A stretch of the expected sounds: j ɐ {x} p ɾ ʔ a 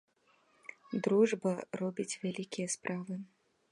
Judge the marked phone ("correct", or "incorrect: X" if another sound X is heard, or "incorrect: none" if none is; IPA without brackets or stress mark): incorrect: s